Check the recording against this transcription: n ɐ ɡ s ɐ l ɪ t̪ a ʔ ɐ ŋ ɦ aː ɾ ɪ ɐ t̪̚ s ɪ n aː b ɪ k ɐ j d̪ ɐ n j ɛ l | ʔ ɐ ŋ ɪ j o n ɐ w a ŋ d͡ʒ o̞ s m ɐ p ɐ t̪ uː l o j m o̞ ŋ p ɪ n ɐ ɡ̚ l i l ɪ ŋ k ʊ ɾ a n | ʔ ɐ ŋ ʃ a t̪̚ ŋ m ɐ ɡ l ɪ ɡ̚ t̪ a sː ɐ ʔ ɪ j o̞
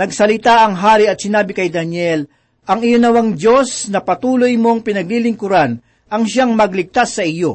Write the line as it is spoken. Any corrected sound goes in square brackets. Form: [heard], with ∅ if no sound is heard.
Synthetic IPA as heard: n ɐ ɡ s ɐ l ɪ t̪ a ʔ ɐ ŋ ɦ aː ɾ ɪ ɐ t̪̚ s ɪ n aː b ɪ k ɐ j d̪ ɐ n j ɛ l | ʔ ɐ ŋ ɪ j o n ɐ w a ŋ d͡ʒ o̞ s [n] ɐ p ɐ t̪ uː l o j m o̞ ŋ p ɪ n ɐ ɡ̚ l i l ɪ ŋ k ʊ ɾ a n | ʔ ɐ ŋ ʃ a [∅] ŋ m ɐ ɡ l ɪ ɡ̚ t̪ a sː ɐ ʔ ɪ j o̞